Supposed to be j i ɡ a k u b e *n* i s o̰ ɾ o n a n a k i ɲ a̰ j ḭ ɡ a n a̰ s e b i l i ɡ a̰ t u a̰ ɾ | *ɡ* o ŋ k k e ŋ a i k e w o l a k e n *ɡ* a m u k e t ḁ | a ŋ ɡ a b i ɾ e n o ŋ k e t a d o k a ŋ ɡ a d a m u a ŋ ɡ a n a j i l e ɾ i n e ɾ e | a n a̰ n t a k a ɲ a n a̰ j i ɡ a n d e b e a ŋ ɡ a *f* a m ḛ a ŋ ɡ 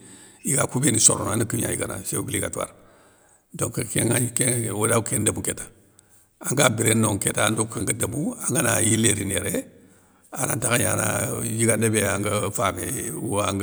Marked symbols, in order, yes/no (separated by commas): yes, no, no, yes